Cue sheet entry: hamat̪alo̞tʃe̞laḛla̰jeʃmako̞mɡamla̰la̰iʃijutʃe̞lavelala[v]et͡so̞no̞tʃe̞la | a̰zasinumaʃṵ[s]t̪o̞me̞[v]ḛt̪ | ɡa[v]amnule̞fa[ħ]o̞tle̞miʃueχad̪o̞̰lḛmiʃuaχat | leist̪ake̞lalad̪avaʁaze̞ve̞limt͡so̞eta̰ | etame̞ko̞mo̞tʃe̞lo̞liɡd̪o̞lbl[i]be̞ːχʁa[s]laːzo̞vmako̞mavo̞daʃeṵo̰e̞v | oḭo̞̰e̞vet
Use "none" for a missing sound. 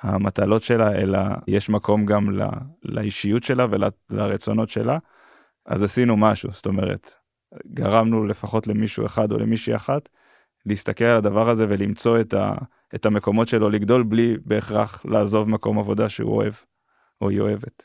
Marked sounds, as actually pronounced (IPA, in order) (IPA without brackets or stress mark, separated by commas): ʁ, s, ʁ, ʁ, χ, i, χ